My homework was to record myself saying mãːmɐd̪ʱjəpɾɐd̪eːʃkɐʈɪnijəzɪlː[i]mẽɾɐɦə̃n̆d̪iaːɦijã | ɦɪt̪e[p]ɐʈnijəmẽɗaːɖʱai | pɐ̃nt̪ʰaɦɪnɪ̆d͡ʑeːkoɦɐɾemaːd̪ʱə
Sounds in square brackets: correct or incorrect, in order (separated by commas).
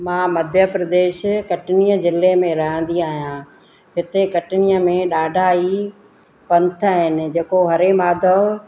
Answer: incorrect, incorrect